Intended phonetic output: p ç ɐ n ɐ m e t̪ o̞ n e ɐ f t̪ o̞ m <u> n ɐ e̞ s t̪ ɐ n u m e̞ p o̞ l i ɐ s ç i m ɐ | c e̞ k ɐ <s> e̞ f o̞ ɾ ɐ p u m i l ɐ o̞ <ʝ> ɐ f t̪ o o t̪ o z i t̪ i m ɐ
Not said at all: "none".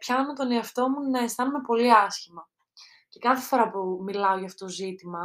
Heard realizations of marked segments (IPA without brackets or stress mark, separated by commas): u, θ, ʝ